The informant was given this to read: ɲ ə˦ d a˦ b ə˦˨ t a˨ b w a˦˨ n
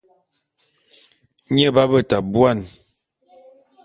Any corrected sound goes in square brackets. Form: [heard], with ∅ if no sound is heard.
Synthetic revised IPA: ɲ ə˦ [b] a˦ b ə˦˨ t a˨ b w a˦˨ n